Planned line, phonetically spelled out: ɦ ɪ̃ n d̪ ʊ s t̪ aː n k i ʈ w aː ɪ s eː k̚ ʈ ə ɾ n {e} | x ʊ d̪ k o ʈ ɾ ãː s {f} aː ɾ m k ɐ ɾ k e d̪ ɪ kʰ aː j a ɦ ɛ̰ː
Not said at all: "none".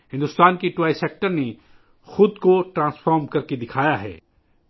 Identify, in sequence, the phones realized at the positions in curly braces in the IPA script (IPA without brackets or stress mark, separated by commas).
e, f